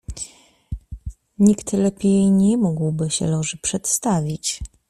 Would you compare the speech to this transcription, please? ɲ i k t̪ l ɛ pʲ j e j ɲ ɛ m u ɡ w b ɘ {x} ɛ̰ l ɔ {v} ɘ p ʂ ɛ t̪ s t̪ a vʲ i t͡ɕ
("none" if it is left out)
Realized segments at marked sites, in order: ɕ, ʐ

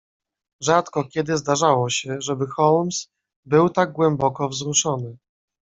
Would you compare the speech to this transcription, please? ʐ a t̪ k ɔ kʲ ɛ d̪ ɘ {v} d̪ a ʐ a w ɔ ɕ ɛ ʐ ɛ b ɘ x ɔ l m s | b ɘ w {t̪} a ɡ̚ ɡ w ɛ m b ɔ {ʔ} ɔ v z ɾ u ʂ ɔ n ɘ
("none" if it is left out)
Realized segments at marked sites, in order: z, t̪, k

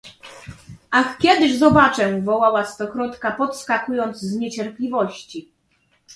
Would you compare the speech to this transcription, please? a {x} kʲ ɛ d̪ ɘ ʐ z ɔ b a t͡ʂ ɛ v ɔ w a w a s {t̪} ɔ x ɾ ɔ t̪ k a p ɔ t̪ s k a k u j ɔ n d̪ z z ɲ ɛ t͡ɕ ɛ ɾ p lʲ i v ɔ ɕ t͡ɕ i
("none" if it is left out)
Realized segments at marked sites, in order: x, t̪

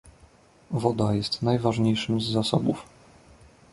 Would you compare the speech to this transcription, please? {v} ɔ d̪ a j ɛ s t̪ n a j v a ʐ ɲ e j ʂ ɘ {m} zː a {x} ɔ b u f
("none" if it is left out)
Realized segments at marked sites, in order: v, m, s

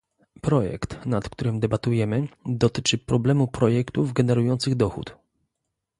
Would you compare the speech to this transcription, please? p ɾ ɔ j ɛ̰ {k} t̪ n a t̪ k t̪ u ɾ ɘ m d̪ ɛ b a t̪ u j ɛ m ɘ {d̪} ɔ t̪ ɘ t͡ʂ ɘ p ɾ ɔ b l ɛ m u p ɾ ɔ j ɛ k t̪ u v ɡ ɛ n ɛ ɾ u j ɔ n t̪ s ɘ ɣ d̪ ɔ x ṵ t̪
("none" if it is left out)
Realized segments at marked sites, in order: k, d̪

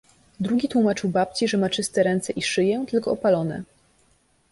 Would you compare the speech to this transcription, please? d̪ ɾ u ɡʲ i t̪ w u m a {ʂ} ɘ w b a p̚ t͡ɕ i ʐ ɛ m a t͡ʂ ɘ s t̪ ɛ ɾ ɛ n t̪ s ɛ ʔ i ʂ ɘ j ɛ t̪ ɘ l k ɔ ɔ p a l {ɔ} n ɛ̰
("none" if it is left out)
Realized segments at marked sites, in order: t͡ʂ, ɔ

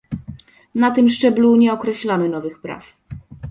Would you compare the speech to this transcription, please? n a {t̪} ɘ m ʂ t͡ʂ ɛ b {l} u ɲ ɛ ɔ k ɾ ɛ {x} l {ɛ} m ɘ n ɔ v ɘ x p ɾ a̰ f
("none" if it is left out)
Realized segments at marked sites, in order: t̪, l, ɕ, a

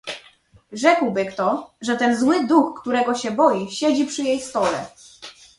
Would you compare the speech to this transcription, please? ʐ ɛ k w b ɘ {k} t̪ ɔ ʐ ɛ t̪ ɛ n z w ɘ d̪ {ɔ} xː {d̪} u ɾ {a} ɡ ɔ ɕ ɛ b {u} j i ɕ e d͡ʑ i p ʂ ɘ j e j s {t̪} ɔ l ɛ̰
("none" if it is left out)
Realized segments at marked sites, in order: k, u, t̪, ɛ, ɔ, t̪

